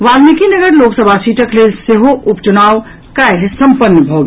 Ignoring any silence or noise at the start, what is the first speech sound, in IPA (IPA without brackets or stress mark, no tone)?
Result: ʋ